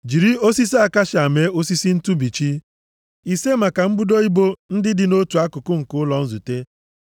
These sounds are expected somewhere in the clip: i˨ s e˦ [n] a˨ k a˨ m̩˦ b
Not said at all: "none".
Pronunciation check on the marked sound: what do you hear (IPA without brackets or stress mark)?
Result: m